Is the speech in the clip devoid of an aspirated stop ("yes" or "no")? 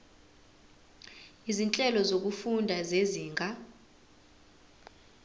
yes